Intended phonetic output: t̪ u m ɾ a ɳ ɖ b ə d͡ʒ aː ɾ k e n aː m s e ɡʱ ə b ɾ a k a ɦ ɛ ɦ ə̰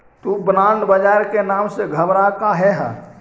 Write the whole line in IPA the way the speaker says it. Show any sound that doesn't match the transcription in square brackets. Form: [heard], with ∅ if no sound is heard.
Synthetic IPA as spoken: t̪ u [b] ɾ a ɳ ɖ b ə d͡ʒ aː ɾ k e n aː m s e ɡʱ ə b ɾ a k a ɦ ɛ ɦ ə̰